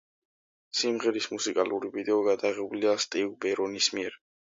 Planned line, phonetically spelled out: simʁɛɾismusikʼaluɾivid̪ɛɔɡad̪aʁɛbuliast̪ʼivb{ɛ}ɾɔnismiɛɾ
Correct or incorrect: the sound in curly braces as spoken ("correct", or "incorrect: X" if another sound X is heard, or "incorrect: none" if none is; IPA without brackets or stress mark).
correct